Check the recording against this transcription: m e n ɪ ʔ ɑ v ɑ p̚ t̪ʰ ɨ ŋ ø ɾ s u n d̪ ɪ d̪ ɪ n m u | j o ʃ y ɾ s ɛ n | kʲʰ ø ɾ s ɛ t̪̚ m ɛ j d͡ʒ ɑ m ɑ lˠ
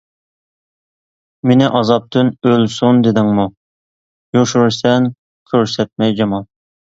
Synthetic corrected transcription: m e n ɪ ʔ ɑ z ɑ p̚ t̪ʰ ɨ n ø l s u n d̪ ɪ d̪ ɪ ŋ m u | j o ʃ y ɾ s ɛ n | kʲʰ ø ɾ s ɛ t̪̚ m ɛ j d͡ʒ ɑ m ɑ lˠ

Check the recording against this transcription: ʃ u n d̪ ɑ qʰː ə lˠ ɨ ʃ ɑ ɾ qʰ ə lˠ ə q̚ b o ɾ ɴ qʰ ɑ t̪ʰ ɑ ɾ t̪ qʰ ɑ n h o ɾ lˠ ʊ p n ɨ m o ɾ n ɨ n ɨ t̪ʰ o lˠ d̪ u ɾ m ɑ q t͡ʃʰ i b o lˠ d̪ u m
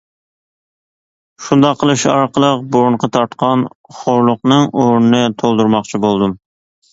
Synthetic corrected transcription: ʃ u n d̪ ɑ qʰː ə lˠ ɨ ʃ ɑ ɾ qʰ ə lˠ ə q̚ b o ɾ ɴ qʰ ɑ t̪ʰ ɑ ɾ t̪ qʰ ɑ n χ o ɾ lˠ ʊ q n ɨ ŋ o ɾ n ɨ n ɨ t̪ʰ o lˠ d̪ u ɾ m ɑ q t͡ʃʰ i b o lˠ d̪ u m

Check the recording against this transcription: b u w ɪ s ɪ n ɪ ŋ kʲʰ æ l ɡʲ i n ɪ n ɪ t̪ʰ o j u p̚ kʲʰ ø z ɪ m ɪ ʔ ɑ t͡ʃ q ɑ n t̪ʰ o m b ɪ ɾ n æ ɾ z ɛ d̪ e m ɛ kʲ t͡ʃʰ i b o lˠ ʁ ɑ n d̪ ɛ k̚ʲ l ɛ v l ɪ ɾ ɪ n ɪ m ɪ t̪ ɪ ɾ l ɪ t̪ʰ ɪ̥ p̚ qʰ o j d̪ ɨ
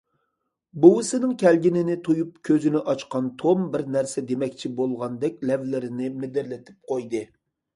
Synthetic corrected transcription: b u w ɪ s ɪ n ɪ ŋ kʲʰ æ l ɡʲ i n ɪ n ɪ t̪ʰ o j u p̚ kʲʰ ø z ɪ n ɪ ʔ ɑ t͡ʃ q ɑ n t̪ʰ o m b ɪ ɾ n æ ɾ s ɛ d̪ e m ɛ kʲ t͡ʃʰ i b o lˠ ʁ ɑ n d̪ ɛ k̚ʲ l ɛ v l ɪ ɾ ɪ n ɪ m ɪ d̪ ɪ ɾ l ɪ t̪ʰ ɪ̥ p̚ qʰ o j d̪ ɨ

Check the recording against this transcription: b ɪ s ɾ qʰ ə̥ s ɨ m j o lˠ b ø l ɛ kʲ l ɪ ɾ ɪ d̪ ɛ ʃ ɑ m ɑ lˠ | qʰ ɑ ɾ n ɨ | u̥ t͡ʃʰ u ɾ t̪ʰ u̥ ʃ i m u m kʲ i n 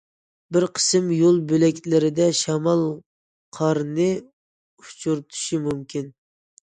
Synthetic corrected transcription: b ɪ ɾ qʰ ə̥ s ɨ m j o lˠ b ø l ɛ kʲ l ɪ ɾ ɪ d̪ ɛ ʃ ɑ m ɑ lˠ | qʰ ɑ ɾ n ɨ | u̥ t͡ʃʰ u ɾ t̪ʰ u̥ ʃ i m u m kʲ i n

